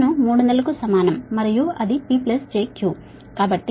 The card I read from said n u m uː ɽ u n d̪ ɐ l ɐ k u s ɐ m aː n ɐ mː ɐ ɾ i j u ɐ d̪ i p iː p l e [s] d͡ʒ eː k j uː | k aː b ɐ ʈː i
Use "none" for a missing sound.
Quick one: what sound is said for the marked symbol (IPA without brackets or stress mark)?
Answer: s